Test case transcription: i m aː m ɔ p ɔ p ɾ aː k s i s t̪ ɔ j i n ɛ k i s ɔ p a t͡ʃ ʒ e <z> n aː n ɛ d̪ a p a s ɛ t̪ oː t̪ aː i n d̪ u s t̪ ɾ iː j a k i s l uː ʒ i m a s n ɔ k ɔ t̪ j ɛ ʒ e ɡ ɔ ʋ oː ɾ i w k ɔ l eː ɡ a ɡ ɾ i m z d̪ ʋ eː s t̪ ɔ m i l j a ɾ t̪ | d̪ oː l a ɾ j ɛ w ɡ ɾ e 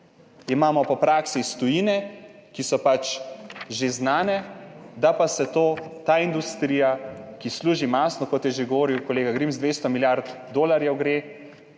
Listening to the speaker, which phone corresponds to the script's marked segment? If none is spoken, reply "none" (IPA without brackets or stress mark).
z